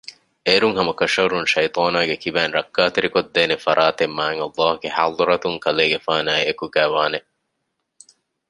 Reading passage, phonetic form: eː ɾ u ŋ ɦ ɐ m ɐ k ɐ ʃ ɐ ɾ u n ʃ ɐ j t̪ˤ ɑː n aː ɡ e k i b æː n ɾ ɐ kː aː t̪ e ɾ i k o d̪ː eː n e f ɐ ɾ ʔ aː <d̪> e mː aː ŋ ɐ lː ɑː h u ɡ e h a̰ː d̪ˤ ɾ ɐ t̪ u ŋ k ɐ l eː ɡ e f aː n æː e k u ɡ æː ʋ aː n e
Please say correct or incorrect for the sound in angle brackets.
incorrect